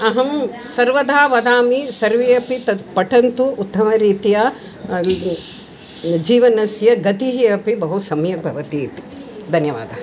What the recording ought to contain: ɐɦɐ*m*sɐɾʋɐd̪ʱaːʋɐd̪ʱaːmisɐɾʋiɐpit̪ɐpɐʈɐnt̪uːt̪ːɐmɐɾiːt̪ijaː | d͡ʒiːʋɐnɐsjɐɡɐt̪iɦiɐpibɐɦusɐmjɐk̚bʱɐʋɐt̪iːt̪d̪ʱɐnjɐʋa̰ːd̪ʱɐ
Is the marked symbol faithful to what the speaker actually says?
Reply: yes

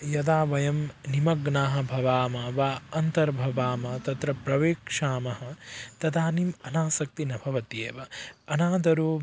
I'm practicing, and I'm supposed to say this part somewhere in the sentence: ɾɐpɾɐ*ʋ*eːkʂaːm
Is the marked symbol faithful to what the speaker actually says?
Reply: yes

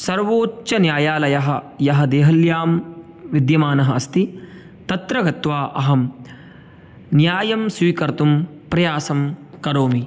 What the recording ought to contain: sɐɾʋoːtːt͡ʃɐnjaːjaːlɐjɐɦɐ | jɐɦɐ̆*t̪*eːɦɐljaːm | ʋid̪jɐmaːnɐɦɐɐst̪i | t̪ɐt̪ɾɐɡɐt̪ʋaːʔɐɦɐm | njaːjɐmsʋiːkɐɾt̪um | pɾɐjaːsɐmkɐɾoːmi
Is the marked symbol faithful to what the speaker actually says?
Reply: no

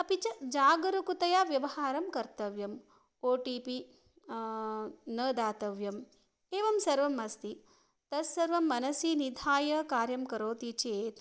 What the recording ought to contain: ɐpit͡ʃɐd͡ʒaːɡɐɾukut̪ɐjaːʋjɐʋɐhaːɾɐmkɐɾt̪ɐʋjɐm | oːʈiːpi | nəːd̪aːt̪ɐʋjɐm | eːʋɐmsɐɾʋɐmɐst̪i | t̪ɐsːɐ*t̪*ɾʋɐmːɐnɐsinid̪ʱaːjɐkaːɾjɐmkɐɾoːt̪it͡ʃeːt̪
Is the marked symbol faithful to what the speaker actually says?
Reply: no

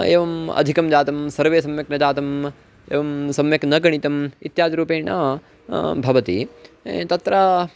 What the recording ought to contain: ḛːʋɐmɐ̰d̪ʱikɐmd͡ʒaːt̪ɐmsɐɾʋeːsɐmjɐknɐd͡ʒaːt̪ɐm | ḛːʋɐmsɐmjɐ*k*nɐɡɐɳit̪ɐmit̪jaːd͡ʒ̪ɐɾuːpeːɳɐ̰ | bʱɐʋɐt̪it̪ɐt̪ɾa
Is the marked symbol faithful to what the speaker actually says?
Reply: yes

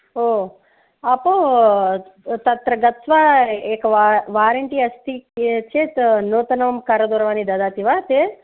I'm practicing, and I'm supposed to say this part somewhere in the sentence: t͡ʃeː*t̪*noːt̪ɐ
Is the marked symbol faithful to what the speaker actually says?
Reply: yes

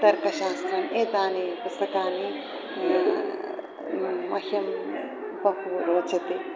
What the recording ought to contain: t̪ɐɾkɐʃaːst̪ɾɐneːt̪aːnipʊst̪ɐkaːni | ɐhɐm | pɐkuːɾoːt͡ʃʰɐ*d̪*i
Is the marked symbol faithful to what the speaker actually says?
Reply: no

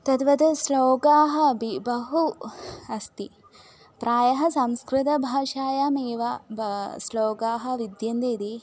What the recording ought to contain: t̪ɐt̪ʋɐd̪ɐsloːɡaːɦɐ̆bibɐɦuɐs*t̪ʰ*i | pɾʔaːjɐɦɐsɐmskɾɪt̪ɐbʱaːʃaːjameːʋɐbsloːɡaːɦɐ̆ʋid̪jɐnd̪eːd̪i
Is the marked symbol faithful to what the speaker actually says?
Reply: no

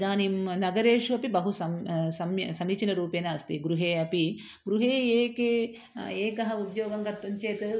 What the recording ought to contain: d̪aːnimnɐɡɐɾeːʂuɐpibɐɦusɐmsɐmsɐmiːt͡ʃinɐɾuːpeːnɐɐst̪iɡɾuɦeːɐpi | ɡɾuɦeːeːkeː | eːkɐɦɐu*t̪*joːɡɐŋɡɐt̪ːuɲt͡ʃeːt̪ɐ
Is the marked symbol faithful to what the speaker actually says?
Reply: no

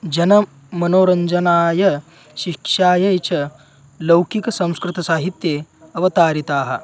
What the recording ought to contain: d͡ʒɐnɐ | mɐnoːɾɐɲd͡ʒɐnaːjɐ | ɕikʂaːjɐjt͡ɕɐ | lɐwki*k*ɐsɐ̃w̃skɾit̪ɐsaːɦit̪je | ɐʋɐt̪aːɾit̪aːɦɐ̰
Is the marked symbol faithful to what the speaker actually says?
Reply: yes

